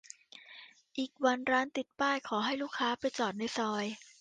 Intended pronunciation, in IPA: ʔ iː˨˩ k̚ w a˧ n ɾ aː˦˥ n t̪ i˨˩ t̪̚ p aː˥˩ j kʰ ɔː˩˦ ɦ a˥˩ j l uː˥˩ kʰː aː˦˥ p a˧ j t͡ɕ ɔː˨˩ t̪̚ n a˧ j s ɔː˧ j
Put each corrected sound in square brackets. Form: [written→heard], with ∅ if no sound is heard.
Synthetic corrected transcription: ʔ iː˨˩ k̚ w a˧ n ɾ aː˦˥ n t̪ i˨˩ t̪̚ p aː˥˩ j kʰ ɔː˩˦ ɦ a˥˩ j l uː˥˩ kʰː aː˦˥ p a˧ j t͡ɕ ɔː˨˩ t̪̚ n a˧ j s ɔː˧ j